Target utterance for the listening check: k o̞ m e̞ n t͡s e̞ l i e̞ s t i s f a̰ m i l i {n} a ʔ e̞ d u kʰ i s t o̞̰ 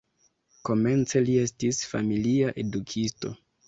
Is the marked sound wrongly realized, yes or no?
yes